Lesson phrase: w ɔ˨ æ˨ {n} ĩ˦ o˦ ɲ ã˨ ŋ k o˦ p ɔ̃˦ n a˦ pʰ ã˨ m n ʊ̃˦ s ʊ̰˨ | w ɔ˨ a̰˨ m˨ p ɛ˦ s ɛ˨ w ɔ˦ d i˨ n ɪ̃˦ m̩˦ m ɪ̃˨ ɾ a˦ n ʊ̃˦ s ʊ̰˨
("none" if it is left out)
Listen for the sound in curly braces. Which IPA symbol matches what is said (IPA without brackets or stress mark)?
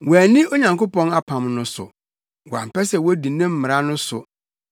n